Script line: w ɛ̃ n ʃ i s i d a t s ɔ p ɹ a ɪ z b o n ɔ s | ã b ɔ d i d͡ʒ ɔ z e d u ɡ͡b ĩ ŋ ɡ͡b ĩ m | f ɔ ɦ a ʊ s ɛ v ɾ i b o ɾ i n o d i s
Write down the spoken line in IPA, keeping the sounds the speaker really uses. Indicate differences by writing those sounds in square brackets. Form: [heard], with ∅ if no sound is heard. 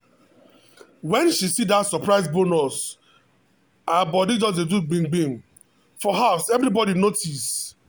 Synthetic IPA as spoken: w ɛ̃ n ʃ i s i d a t s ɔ p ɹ a ɪ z b o n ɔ s | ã b ɔ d i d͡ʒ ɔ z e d u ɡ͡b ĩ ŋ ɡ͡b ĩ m | f ɔ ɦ a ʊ s ɛ v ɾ i b [ɔ] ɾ i n o [t] i s